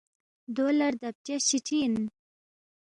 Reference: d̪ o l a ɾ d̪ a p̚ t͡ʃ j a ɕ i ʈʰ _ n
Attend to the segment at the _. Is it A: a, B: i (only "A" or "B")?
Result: B